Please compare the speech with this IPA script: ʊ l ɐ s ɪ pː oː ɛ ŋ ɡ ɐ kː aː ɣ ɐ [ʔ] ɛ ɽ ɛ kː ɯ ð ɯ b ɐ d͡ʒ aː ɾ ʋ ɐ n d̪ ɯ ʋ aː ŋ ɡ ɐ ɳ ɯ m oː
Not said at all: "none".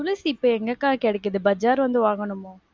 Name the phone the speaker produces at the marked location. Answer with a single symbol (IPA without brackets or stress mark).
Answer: k